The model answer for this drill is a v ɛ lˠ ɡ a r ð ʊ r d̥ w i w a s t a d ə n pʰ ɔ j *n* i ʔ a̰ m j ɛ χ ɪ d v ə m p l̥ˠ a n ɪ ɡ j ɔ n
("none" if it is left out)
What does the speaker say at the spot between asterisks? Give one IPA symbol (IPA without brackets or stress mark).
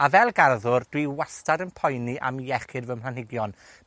n